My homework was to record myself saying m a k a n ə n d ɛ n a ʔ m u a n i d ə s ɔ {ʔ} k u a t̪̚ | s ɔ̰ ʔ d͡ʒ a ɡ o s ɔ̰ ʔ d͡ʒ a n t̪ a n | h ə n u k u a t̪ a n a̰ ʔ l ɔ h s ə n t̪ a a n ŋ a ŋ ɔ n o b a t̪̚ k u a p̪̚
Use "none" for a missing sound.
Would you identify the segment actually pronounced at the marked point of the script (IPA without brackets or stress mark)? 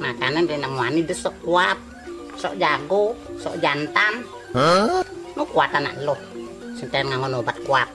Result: ʔ